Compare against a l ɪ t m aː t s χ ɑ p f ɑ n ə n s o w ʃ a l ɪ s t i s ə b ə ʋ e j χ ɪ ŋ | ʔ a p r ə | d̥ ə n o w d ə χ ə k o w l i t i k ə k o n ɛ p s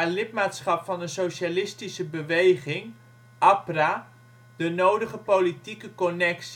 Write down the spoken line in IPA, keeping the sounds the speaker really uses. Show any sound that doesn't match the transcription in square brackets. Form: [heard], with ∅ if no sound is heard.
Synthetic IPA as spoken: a l ɪ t m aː t s χ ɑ p f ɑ n ə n s o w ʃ a l ɪ s t i s ə b ə ʋ e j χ ɪ ŋ | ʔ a p r [a] | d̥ ə n o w d ə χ ə [p] o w l i t i k ə k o n ɛ [k] s